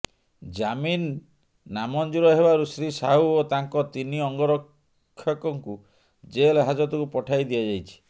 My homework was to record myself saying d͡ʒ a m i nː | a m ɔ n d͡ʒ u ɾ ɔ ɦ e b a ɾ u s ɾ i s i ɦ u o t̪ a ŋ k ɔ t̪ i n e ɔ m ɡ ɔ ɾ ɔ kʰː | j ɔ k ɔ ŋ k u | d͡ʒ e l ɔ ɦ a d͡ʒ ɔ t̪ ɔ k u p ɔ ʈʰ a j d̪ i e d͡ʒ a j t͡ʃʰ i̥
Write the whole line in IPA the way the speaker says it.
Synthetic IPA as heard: d͡ʒ a m i nː | a m ɔ n d͡ʒ u ɾ ɔ ɦ e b a ɾ u s ɾ i s a ɦ u o t̪ a ŋ k ɔ t̪ i n i ɔ ŋ ɡ ɔ ɾ ɔ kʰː | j ɔ k ɔ ŋ k u | d͡ʒ e l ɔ ɦ a d͡ʒ ɔ t̪ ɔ k u p ɔ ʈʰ a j d̪ i a d͡ʒ a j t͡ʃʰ i̥